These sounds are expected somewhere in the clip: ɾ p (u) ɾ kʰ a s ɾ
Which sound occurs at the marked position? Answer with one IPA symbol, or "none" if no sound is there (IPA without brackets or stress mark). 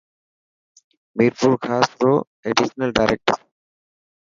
u